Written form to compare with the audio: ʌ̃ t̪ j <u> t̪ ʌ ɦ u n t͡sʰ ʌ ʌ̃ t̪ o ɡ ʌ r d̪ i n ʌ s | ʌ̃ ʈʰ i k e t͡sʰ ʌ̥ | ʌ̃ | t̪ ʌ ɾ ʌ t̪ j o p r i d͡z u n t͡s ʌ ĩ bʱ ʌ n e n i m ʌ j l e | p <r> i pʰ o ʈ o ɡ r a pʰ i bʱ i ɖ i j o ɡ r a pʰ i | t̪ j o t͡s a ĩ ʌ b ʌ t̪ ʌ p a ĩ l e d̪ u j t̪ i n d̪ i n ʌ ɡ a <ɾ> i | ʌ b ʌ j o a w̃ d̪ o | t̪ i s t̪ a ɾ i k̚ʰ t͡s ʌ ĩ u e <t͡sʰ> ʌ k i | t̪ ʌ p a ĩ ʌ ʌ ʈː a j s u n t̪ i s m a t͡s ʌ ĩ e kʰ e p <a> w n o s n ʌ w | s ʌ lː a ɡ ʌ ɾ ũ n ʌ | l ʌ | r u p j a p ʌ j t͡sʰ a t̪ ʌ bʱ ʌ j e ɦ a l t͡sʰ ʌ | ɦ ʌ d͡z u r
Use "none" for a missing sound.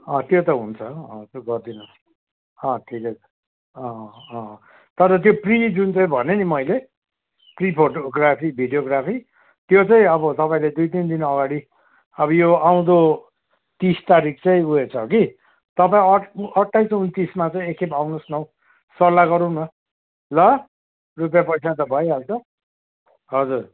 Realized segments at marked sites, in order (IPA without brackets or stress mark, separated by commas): o, r, ɽ, t͡sʰ, a